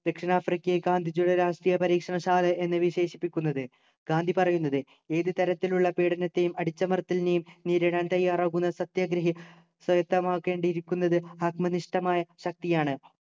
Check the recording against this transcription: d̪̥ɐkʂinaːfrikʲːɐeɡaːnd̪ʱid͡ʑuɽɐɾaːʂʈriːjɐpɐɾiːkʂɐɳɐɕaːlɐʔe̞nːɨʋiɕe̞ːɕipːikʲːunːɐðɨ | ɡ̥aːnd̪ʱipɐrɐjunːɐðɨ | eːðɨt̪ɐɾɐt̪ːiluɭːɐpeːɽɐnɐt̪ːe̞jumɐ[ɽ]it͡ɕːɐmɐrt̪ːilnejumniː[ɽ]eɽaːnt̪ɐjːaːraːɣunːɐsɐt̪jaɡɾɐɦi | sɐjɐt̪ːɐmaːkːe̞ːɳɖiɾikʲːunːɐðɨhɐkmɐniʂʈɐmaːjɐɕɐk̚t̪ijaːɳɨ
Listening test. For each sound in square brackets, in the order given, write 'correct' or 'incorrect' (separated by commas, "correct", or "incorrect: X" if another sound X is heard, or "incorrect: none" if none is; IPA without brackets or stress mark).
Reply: correct, incorrect: ɾ